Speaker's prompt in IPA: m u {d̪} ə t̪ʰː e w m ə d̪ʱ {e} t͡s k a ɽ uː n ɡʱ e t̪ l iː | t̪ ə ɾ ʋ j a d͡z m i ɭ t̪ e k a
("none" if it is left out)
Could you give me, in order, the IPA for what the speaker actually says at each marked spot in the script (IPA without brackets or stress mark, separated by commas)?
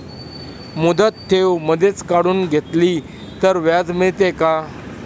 d̪, e